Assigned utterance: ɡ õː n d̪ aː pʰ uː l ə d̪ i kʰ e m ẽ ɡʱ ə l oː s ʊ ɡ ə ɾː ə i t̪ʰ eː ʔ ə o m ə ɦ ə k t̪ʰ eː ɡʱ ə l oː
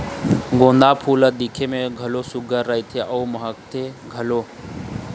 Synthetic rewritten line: ɡ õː n d̪ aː pʰ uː l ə d̪ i kʰ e m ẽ ɡʱ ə l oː s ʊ ɡ ə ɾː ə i t̪ʰ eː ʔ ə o m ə ɦ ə k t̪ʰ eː ɡʱ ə l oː